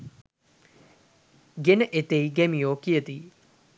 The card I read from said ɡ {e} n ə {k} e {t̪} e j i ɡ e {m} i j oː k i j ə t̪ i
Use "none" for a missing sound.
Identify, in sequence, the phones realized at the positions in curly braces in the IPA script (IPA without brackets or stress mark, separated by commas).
e, ʔ, t̪, m